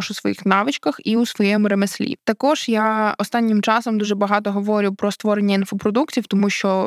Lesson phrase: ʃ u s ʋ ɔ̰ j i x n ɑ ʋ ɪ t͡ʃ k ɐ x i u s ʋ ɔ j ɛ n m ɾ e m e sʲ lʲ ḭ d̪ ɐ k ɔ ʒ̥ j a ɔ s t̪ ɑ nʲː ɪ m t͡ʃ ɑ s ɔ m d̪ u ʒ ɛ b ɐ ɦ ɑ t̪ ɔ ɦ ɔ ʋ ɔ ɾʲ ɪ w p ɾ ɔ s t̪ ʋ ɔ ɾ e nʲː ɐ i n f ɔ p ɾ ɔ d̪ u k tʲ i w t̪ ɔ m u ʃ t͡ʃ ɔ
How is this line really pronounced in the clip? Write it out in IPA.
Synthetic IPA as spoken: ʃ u s ʋ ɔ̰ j i x n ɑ ʋ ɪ t͡ʃ k ɐ x i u s ʋ ɔ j ɛ m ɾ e m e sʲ lʲ ḭ t̪ ɐ k ɔ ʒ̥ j a ɔ s t̪ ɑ nʲː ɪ m t͡ʃ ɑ s ɔ m d̪ u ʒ ɛ b ɐ ɦ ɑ t̪ ɔ ɦ ɔ ʋ ɔ ɾʲ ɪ w p ɾ ɔ s t̪ ʋ ɔ ɾ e nʲː ɐ i n f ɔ p ɾ ɔ d̪ u k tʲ i w t̪ ɔ m u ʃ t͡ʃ ɔ